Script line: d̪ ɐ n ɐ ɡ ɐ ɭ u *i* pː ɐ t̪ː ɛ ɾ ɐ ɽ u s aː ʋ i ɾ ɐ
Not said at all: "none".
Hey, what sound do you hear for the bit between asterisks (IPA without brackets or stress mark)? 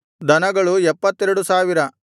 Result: ɛ